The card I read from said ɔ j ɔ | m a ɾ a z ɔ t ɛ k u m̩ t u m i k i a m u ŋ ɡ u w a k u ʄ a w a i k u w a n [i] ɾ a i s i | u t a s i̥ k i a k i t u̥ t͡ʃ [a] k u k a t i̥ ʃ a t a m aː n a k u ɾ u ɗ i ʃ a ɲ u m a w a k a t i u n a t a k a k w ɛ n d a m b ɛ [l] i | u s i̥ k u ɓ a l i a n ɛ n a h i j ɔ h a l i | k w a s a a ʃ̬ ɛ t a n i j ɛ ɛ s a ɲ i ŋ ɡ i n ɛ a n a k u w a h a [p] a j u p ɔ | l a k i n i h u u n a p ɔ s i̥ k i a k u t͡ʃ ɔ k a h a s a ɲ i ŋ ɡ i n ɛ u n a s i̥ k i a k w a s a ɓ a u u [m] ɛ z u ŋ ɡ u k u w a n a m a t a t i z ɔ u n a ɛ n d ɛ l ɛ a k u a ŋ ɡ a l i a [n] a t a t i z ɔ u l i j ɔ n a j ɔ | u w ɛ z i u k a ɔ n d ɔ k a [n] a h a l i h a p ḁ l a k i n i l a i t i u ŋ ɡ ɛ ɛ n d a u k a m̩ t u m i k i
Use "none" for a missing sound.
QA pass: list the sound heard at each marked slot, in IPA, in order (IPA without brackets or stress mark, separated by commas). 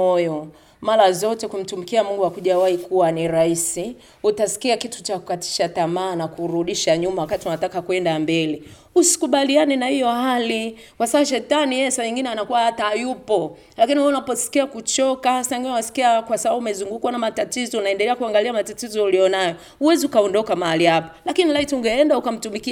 i, a, l, t, m, m, m